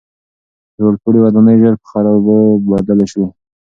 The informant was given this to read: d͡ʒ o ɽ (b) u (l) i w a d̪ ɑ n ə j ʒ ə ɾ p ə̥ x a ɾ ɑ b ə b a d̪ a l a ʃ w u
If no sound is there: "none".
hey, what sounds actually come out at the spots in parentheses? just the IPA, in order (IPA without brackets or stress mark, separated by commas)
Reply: p, ɽ